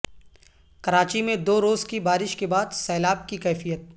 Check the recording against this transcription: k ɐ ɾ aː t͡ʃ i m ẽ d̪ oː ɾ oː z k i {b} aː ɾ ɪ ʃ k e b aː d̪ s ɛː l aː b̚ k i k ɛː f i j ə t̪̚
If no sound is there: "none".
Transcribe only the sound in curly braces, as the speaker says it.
b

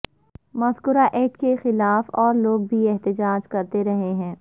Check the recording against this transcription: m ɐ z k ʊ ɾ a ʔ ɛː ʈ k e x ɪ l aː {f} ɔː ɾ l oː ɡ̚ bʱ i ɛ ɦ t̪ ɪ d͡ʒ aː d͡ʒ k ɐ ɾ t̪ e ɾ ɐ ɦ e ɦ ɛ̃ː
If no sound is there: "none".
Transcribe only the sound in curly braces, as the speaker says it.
f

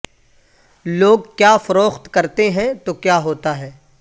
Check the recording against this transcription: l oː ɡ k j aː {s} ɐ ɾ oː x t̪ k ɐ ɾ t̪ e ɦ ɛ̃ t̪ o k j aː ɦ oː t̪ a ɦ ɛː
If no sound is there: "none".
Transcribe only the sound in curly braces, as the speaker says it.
f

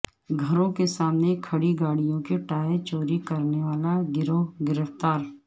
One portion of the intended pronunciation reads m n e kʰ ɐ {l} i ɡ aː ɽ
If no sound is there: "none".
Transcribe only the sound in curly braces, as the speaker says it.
ɽ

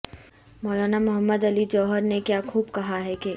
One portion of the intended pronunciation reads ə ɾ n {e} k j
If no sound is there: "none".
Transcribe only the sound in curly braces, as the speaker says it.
e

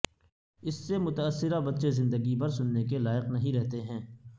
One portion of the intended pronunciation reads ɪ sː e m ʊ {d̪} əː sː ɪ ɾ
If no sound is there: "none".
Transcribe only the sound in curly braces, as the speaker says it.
t̪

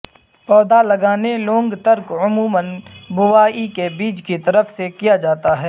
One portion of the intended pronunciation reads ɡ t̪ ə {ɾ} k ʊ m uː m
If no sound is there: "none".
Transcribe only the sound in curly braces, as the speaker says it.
ɾ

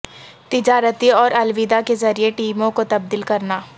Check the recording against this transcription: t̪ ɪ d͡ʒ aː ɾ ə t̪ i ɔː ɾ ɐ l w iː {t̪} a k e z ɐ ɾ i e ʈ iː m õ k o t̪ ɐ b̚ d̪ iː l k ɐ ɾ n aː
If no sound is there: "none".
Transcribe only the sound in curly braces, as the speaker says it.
d̪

